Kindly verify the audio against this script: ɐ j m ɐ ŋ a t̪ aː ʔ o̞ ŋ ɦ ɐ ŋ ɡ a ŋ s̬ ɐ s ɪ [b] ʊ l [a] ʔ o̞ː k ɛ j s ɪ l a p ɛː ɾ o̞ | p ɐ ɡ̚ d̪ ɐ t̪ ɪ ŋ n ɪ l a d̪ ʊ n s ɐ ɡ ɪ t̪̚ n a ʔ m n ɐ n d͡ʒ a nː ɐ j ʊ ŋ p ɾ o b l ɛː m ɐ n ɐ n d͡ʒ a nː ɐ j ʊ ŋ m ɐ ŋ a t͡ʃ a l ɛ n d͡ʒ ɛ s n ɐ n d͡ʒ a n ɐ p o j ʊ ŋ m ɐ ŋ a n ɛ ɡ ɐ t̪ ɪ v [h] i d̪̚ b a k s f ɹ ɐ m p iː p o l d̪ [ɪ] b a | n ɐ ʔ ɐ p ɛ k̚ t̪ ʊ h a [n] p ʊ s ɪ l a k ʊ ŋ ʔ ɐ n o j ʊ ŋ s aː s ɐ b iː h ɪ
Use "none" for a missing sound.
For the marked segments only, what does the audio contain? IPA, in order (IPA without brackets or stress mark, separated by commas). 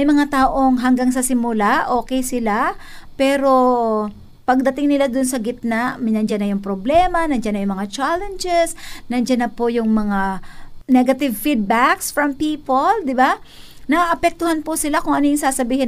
m, a, f, ɪ, n